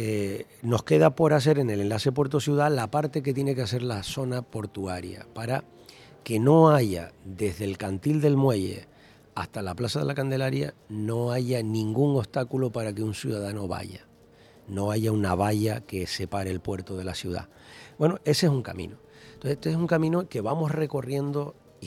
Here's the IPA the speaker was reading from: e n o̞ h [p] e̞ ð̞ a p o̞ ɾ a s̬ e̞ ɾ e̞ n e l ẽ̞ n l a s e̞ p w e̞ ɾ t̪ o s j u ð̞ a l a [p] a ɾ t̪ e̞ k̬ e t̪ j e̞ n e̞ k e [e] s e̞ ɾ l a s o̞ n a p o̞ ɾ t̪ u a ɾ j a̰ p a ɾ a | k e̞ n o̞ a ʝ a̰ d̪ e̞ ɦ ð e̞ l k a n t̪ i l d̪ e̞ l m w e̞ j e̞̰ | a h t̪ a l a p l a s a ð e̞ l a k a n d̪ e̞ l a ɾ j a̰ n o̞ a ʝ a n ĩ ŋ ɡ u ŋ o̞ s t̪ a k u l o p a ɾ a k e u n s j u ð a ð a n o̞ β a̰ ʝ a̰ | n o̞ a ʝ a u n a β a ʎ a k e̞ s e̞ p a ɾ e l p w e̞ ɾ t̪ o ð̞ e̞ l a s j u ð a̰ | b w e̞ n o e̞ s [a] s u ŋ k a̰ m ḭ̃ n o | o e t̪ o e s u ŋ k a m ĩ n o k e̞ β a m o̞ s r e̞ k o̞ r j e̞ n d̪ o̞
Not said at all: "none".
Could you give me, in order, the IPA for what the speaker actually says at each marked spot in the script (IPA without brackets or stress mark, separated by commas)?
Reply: k, p, a, e